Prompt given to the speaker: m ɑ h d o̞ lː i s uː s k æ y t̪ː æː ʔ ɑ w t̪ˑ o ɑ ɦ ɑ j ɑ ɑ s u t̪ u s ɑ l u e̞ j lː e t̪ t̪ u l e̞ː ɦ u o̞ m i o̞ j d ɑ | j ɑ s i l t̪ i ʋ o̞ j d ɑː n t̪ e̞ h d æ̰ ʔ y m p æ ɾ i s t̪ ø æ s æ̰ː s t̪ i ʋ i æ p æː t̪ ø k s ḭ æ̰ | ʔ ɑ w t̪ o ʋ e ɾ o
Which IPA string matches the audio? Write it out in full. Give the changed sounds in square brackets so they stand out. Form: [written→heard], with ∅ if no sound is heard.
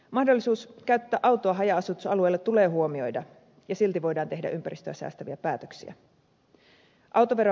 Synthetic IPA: m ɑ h d o̞ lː i s uː s k æ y t̪ː æː ʔ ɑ w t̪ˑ o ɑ ɦ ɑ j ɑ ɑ s u t̪ u s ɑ l u e̞ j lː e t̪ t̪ u l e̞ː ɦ u o̞ m i o̞ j d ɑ | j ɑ s i l t̪ i ʋ o̞ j d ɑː n t̪ e̞ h d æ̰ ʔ y m p æ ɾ i s t̪ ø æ s æ̰ː s t̪ [i→æ] ʋ i æ p æː t̪ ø k s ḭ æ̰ | ʔ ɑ w t̪ o ʋ e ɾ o

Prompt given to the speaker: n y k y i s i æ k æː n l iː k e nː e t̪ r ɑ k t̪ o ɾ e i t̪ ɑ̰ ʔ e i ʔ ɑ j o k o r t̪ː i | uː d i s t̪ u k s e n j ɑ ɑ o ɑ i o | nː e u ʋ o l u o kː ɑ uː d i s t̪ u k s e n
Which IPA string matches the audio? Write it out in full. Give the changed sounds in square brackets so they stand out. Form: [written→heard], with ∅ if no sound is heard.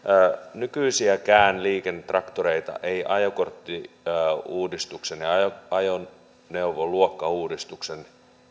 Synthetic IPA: n y k y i s i æ k æː n l iː k e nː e t̪ r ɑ k t̪ o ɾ e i t̪ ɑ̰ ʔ e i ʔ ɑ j o k o r t̪ː i | uː d i s t̪ u k s e n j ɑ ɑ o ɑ [i→j] o | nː e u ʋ o l u o kː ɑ uː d i s t̪ u k s e n

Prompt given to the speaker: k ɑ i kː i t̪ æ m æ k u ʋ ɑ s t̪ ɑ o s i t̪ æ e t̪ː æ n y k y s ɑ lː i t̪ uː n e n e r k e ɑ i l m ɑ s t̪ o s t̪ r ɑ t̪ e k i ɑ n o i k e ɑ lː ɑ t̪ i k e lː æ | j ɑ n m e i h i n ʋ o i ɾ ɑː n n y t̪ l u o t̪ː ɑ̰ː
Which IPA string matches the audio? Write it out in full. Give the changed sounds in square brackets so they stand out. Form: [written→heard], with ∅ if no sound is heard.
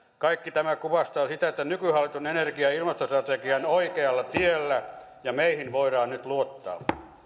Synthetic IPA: k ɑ i kː i t̪ æ m æ k u ʋ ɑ s t̪ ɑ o s i t̪ æ e t̪ː æ n y k y [s→h] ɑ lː i t̪ [uː→u] n e n e r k [e→i] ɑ i l m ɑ s t̪ o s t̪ r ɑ t̪ e k i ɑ n o i k e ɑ lː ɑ t̪ i [k→∅] e lː æ | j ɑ [n→∅] m e i h i n ʋ o i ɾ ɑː n n y t̪ l u o t̪ː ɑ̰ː

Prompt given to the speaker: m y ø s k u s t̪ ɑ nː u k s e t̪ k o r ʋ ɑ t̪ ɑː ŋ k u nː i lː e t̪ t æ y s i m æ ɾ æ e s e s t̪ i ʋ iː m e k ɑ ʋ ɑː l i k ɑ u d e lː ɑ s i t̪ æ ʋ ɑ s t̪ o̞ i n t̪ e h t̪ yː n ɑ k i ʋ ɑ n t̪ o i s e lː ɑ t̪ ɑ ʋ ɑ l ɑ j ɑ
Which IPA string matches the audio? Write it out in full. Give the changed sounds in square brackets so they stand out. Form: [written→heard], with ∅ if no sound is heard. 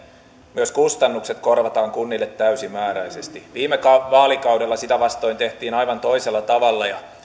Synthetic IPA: m y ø s k u s t̪ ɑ nː u k s e t̪ k o r ʋ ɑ t̪ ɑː ŋ k u nː i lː e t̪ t æ y s i m [æ→æː] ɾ æ [e→i] s e s t̪ i ʋ iː m e k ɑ ʋ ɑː l i k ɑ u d e lː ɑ s i t̪ æ ʋ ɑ s t̪ o̞ i n t̪ e h t̪ [yː→iː] n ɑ [k→∅] i ʋ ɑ n t̪ o i s e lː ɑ t̪ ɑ ʋ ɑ [l→lː] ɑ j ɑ

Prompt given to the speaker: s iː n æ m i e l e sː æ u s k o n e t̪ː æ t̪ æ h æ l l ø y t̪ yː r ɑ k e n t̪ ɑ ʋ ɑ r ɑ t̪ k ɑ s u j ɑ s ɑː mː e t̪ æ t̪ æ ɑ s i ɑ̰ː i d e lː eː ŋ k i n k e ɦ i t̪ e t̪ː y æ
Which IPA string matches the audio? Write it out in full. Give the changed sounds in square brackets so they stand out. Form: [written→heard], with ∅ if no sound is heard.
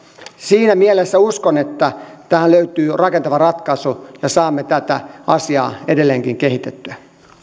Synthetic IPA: s iː n æ m i e l e sː æ u s k o n e t̪ː æ t̪ æ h æ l l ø y t̪ yː r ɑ k e n t̪ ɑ ʋ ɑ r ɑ t̪ k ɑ s u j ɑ s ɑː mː e t̪ æ t̪ æ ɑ s i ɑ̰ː [i→e] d e lː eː ŋ k i [n→ŋ] k e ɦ i t̪ e t̪ː y æ

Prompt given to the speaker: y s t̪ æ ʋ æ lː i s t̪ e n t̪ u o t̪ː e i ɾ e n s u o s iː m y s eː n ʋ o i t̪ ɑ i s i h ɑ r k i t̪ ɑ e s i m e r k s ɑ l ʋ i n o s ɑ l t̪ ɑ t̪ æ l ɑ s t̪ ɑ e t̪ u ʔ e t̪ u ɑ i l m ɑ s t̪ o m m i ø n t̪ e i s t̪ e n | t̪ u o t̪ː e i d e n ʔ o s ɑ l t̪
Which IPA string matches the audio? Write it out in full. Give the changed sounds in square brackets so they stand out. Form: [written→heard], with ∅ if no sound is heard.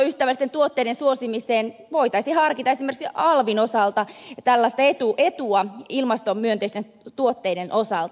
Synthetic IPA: y s t̪ æ ʋ æ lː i s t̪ e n t̪ u o t̪ː e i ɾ e n s u o s [iː→i] m [y→i] s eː n ʋ o i t̪ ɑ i s i h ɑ r k i t̪ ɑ e s i m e r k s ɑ l ʋ i n o s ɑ l t̪ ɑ t̪ æ [l→lː] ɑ s t̪ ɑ e t̪ u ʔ e t̪ u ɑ i l m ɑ s t̪ o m m [i→y] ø n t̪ e i s t̪ e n | t̪ u o t̪ː e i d e n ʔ o s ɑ l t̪

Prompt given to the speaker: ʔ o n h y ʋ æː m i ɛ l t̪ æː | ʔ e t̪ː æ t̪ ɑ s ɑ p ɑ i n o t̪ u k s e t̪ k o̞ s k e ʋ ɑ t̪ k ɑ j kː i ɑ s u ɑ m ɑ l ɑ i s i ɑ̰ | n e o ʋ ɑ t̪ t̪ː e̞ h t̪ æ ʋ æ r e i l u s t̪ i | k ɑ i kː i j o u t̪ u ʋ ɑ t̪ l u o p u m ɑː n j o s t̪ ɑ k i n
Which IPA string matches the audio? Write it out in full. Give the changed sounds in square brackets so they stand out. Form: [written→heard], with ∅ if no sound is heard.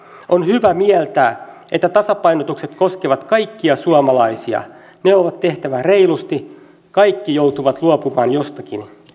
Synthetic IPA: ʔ o n h y ʋ [æː→æ] m i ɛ l t̪ æː | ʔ e t̪ː æ t̪ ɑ s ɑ p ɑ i n o t̪ u k s e t̪ k o̞ s k e ʋ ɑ t̪ k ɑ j kː i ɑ s u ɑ m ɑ l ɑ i s i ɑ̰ | n e o ʋ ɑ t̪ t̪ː e̞ h t̪ æ ʋ æ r e i l u s t̪ i | k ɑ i kː i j o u t̪ u ʋ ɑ t̪ l u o p u m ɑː n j o s t̪ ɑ k i n

